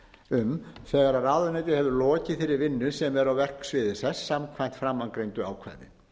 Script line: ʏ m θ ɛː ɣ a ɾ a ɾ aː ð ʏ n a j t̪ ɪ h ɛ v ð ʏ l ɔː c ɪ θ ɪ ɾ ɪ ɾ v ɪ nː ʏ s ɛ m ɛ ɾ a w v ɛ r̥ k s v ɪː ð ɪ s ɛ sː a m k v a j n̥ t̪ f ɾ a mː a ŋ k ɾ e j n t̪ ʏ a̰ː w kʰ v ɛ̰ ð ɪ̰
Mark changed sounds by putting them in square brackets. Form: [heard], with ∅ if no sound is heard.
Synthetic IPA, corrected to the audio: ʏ m θ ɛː ɣ a ɾ a ɾ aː ð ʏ n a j t̪ ɪ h ɛ v ð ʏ l ɔː c ɪ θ ɪ ɾ ɪ ɾ v ɪ nː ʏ s ɛ m ɛ ɾ a w v ɛ r̥ k s v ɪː ð ɪ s ɛ sː a m [kʰ] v a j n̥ t̪ f ɾ a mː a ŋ k ɾ e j n t̪ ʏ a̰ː w kʰ v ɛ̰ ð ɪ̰